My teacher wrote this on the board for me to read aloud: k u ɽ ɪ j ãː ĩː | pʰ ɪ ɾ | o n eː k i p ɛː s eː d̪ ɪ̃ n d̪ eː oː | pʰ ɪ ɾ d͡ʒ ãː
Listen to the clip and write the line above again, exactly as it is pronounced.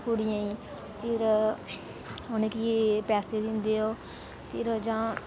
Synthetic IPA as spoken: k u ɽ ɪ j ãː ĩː | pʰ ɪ ɾ | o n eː k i p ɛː s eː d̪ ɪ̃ n d̪ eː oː | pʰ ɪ ɾ d͡ʒ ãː